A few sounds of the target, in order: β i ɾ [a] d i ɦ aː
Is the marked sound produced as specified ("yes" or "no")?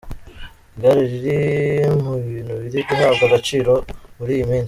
no